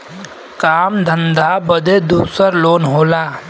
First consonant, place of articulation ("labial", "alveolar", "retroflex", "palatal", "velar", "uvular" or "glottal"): velar